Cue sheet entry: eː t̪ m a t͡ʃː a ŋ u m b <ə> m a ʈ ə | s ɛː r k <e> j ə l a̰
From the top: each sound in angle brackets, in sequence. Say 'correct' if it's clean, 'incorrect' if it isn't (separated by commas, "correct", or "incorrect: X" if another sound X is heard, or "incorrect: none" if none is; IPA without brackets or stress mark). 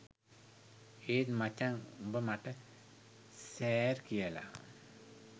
correct, incorrect: i